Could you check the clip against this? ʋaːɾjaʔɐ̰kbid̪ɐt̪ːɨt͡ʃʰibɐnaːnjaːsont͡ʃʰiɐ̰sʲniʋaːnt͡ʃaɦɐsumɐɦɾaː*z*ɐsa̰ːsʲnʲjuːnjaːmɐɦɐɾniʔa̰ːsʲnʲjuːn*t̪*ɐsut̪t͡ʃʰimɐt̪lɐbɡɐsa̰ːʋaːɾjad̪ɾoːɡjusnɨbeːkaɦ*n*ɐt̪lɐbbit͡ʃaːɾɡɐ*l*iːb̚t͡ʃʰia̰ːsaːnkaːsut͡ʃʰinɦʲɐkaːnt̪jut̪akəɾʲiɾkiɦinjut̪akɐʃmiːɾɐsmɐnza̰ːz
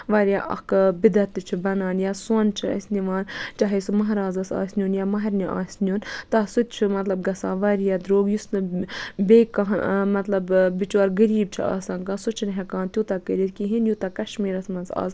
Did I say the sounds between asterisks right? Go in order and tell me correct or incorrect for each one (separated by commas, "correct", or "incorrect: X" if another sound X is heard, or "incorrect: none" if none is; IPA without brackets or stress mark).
correct, correct, incorrect: m, incorrect: ɾ